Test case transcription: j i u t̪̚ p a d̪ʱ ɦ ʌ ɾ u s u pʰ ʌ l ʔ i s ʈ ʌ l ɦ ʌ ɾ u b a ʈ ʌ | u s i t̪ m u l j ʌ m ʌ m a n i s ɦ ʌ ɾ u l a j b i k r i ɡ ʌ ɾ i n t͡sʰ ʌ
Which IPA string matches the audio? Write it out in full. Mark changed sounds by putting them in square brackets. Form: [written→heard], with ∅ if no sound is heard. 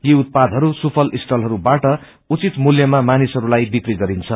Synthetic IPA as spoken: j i u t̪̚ p a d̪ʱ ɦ ʌ ɾ u s u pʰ ʌ l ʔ i s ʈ ʌ l ɦ ʌ ɾ u b a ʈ ʌ | u [s→t͡s] i t̪ m u l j ʌ m [ʌ→a] m a n i s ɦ ʌ ɾ u l a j b i k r i ɡ ʌ ɾ i n t͡sʰ ʌ

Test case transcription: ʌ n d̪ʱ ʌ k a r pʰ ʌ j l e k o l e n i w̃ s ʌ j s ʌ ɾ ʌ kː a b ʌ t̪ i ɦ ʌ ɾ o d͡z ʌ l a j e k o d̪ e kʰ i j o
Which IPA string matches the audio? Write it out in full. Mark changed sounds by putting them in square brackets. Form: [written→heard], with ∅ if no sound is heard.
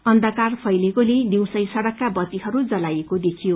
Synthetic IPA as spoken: ʌ n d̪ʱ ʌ k a r pʰ ʌ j l e k o l e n i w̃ s ʌ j s ʌ [ɾ→ɽ] ʌ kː a b ʌ t̪ i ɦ ʌ ɾ [o→u] d͡z ʌ l a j e k o d̪ e kʰ i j o

